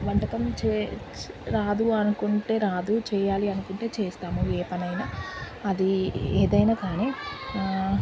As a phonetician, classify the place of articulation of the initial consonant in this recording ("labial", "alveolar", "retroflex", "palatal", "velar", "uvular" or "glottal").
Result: labial